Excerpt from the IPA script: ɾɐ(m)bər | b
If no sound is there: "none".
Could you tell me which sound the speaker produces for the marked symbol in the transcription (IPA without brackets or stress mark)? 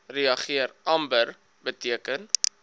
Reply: m